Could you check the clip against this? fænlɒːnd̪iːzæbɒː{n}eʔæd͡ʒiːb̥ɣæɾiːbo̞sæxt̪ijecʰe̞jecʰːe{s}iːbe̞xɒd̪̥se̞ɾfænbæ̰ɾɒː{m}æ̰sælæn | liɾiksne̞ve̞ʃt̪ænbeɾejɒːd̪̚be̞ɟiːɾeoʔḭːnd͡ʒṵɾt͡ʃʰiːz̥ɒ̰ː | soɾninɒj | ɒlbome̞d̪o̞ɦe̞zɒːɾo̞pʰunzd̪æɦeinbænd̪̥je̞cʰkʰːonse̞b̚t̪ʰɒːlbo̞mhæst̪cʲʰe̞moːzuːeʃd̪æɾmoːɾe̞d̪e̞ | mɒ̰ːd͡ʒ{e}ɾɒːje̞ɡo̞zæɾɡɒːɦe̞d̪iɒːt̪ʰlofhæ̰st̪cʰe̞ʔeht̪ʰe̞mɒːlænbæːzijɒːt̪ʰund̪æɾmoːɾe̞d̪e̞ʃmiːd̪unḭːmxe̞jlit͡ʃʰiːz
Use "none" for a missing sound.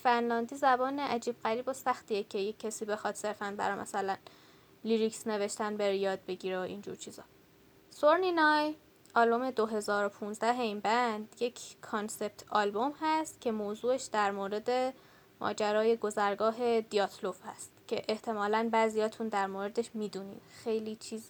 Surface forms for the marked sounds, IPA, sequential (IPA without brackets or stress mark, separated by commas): n, s, m, æ